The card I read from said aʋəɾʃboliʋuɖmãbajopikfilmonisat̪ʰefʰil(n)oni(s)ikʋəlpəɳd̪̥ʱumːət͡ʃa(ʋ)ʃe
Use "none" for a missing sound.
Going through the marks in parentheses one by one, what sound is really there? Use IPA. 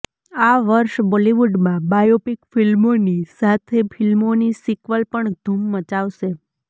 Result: m, s, ʋ

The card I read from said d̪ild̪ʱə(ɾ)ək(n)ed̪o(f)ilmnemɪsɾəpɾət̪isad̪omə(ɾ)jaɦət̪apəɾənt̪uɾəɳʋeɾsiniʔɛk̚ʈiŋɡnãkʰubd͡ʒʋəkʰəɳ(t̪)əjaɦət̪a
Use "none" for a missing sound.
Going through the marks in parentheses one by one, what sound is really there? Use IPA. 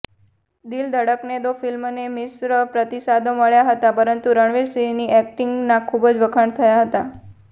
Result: ɽ, n, f, ɭ, t̪ʰ

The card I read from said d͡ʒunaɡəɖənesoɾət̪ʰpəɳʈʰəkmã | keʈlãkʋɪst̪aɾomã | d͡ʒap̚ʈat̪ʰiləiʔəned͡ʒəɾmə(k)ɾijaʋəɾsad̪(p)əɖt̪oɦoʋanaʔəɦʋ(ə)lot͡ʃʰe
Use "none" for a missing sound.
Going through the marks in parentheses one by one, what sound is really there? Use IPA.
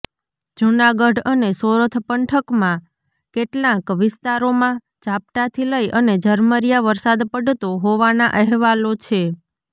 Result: none, p, a

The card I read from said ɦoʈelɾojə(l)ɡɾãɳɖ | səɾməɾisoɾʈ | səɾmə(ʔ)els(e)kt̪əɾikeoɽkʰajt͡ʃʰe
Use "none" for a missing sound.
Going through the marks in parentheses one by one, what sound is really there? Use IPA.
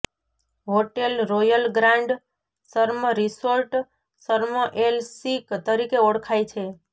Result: l, ʔ, i

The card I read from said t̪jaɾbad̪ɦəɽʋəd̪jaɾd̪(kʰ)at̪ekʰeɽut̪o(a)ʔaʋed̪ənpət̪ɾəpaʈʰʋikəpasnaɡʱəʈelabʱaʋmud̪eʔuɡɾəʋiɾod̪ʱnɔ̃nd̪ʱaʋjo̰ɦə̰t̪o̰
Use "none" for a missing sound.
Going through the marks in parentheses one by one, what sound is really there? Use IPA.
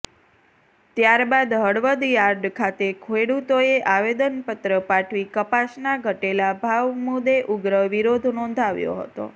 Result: kʰ, e

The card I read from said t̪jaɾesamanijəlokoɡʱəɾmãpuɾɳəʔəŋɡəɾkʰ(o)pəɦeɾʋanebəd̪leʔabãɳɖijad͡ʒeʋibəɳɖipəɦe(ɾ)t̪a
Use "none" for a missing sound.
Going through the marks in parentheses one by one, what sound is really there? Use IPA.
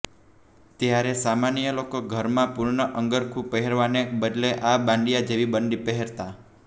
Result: u, ɾ

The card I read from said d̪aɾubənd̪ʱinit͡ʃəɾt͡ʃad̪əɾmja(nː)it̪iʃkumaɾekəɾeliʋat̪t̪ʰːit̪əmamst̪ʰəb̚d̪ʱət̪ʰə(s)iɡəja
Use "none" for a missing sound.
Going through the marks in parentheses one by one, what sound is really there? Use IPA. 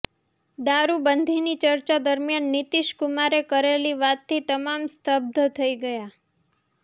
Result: nː, none

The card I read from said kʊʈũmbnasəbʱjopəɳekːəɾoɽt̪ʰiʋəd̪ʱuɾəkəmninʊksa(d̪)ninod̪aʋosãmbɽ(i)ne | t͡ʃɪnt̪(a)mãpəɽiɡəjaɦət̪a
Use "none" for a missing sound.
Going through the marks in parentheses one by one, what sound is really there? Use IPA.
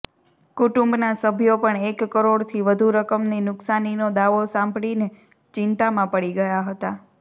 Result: none, i, a

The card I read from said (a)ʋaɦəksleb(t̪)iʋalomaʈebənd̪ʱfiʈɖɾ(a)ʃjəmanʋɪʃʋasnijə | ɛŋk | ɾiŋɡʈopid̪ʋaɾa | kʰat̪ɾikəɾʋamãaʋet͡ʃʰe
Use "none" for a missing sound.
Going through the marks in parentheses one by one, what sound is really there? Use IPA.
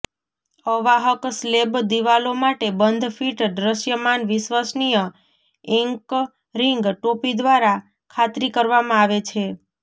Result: ə, d̪, ə

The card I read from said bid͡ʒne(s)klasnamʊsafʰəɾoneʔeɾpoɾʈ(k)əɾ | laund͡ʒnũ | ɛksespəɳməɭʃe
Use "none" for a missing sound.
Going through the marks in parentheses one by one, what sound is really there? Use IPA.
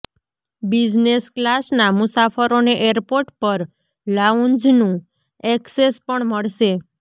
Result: s, p

